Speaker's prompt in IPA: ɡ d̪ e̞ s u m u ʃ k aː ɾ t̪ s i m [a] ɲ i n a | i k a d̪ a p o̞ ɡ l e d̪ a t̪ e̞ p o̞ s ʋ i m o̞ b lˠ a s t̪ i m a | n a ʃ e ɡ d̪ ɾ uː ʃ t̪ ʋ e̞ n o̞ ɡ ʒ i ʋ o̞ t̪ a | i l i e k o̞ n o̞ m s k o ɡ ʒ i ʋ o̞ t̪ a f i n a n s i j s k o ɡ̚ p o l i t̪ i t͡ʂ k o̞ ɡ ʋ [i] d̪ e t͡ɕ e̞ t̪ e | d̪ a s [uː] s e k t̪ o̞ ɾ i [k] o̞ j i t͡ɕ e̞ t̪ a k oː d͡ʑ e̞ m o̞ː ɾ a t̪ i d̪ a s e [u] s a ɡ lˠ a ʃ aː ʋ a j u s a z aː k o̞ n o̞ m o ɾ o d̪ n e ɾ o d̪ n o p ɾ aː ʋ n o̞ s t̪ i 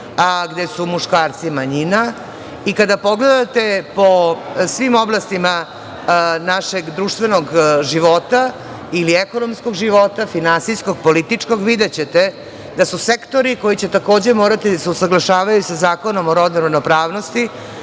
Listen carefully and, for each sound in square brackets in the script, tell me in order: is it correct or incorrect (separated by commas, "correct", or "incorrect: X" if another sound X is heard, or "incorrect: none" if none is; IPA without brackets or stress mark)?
correct, correct, incorrect: u, correct, correct